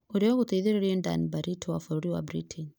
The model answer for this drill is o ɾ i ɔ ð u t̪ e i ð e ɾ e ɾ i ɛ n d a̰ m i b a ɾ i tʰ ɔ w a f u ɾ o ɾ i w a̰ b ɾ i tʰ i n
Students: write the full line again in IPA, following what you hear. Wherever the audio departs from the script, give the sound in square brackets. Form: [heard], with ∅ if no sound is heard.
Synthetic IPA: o ɾ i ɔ [ɣ] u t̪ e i ð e ɾ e ɾ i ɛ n d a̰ [n] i b a ɾ i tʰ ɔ w a f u ɾ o ɾ i w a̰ b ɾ i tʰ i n